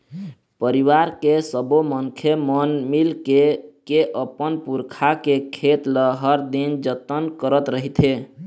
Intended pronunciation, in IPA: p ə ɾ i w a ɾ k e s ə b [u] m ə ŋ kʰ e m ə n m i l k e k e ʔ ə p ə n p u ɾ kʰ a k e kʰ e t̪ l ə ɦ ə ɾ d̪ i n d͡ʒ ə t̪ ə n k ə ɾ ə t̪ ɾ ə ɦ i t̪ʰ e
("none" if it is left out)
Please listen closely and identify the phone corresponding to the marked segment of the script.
o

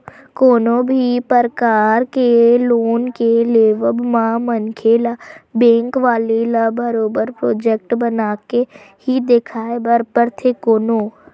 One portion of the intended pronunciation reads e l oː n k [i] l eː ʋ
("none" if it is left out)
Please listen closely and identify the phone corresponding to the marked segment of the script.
e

